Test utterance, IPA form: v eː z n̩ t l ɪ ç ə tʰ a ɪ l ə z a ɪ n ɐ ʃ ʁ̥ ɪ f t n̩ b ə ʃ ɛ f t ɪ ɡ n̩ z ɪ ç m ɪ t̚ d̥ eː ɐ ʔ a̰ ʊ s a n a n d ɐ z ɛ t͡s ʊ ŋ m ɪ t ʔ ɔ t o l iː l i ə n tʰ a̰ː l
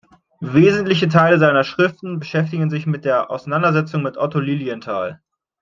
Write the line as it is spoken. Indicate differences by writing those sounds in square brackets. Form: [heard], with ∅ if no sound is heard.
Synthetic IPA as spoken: v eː z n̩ t l ɪ ç ə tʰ a ɪ l ə z a ɪ n ɐ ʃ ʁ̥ ɪ f t n̩ b ə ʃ ɛ f t ɪ ɡ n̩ z ɪ ç m ɪ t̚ d̥ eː ɐ ʔ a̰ ʊ s a n a n d ɐ z ɛ t͡s ʊ ŋ m ɪ t ʔ ɔ t o l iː l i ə n tʰ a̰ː l